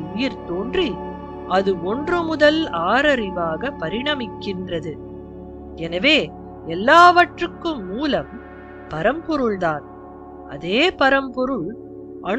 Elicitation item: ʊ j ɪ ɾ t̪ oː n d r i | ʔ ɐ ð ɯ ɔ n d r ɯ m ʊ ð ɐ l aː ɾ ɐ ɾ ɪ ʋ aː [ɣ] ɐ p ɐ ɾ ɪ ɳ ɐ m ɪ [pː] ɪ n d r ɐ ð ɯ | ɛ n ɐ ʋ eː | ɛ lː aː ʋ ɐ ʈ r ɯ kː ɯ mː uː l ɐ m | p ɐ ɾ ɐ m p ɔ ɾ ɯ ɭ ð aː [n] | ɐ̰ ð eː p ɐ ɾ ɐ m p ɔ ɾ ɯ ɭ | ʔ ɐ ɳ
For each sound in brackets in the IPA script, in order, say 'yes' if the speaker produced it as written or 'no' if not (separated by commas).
yes, no, yes